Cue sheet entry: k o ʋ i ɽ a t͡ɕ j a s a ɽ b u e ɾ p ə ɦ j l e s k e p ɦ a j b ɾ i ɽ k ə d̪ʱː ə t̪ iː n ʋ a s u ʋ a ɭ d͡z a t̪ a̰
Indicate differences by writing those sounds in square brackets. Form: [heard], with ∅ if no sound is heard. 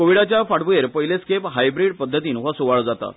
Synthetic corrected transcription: k o ʋ i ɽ a t͡ɕ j a [f] a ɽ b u e ɾ p ə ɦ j l e s k e p ɦ a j b ɾ i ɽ [p] ə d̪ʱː ə t̪ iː n ʋ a s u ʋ a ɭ d͡z a t̪ a̰